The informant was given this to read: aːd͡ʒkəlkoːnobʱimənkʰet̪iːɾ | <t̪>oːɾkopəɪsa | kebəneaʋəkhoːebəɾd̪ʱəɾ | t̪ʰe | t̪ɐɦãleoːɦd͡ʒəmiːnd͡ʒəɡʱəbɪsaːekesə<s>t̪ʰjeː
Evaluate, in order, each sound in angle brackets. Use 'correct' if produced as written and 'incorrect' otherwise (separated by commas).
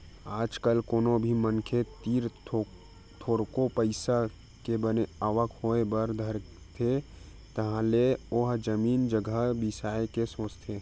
incorrect, correct